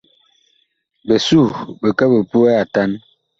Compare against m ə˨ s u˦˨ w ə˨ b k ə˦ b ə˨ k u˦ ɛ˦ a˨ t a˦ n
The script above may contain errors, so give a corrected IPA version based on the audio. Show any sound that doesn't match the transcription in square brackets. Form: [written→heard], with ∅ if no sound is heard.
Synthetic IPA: [m→b] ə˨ s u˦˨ [w→b] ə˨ [b→∅] k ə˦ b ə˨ [k→p] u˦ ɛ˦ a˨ t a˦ n